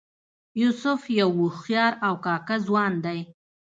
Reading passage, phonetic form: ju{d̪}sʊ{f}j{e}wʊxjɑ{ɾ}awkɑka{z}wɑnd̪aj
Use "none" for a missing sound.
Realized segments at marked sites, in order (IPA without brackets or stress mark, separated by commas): none, f, a, ɾ, z